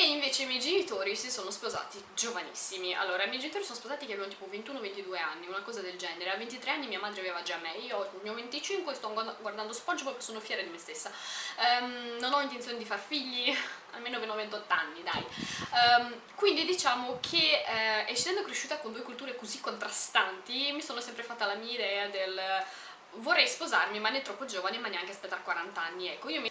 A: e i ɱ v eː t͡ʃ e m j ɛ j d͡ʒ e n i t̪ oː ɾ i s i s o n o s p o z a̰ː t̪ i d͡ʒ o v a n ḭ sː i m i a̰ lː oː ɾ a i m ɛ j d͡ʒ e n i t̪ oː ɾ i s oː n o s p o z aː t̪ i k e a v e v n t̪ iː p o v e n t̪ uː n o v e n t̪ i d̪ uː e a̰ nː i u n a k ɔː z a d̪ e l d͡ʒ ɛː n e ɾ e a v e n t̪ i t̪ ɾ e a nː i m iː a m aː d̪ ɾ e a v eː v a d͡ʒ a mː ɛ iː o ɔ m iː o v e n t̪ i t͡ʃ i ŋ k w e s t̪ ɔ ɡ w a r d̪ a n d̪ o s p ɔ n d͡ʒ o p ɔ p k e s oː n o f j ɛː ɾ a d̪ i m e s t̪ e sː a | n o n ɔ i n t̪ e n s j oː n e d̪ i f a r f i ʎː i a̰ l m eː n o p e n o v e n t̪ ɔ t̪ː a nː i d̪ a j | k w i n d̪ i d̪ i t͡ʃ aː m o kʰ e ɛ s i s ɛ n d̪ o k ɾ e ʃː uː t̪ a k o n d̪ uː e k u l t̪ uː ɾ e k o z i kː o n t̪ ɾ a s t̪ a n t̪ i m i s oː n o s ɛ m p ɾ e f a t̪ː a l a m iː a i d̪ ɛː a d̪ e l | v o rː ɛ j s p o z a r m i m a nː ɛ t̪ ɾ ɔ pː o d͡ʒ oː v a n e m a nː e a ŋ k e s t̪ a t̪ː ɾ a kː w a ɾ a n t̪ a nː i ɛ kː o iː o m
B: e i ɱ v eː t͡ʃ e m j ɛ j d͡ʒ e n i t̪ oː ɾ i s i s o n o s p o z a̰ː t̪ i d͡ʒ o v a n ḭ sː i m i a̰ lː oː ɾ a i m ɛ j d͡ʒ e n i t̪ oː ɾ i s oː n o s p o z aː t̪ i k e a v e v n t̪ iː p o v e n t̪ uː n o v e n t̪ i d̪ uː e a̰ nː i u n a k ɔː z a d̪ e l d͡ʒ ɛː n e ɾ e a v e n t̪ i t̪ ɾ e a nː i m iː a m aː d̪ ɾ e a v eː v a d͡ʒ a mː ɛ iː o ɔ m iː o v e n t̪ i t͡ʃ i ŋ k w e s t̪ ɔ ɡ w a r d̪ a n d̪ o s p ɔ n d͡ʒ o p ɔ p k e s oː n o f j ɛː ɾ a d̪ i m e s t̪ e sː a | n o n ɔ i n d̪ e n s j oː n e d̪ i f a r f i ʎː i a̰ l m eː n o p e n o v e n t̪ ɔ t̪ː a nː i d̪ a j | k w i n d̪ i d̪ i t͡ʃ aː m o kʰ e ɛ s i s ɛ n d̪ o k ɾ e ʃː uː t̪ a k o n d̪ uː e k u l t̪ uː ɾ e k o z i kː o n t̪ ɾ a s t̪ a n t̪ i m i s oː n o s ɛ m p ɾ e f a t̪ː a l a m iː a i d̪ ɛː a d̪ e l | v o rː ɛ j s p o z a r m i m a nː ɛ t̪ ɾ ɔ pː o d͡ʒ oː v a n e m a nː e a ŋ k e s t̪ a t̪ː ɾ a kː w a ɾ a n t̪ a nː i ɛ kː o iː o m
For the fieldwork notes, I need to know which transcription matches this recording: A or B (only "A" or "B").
A